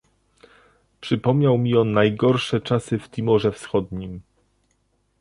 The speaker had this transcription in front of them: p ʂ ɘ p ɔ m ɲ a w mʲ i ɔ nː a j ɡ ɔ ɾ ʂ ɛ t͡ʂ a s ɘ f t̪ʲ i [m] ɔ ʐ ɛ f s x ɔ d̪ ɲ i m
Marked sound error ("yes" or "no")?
no